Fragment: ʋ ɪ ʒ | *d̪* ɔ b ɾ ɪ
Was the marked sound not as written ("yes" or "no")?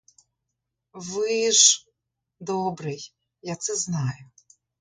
no